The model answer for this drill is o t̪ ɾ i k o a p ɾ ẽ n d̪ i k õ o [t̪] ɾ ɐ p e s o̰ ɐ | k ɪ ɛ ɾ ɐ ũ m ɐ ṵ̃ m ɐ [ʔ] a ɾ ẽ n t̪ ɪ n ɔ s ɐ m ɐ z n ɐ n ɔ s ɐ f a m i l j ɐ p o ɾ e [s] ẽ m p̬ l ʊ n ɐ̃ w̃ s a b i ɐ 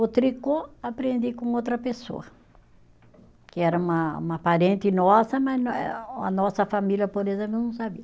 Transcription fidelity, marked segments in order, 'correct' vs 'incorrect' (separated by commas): correct, incorrect, incorrect